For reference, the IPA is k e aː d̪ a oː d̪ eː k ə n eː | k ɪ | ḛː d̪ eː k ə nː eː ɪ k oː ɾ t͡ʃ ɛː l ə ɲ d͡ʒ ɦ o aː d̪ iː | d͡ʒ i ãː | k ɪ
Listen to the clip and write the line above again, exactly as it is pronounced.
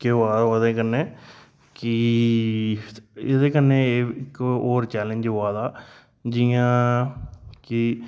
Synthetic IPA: k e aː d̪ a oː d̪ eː k ə n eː | k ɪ | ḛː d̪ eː k ə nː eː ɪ k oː ɾ t͡ʃ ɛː l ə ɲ d͡ʒ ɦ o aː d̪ aː | d͡ʒ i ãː | k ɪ